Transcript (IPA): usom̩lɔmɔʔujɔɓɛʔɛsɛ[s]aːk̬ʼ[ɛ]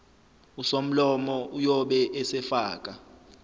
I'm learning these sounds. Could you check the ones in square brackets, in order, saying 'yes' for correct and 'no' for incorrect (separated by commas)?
no, no